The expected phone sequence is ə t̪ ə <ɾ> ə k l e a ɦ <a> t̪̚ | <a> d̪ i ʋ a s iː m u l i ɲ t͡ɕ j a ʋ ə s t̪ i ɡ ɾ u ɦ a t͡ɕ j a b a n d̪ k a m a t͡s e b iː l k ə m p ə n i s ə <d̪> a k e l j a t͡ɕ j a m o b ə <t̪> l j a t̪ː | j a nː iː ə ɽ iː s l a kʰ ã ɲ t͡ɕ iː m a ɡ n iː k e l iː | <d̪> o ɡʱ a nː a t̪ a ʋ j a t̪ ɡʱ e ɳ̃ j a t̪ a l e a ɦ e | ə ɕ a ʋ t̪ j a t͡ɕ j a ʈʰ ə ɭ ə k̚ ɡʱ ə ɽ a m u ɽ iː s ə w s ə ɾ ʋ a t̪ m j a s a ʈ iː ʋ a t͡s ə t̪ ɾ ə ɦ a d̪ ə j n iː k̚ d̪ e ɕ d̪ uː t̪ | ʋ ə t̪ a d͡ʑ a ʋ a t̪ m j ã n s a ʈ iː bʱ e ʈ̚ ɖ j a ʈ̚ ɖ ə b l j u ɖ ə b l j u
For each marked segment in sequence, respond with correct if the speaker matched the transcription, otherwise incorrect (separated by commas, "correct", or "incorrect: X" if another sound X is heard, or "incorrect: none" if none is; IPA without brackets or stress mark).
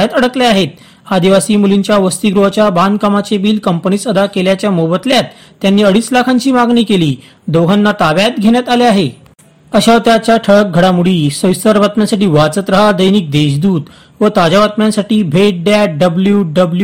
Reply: incorrect: ɽ, incorrect: e, correct, correct, correct, correct